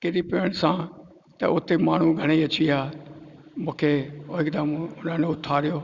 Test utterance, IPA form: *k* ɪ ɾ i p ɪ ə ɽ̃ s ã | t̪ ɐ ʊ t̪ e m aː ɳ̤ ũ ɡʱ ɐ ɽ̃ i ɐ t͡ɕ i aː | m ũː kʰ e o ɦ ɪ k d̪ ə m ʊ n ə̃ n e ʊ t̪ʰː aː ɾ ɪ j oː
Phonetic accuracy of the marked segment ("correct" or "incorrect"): correct